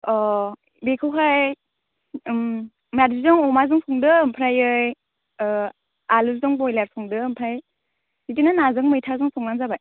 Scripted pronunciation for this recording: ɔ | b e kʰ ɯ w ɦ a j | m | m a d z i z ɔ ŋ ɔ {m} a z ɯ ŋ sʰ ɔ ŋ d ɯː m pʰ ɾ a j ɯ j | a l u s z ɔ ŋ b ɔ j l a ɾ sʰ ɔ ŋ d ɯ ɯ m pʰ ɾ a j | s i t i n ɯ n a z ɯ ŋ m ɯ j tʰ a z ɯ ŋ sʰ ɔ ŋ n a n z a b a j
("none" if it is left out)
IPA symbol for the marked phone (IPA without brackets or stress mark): m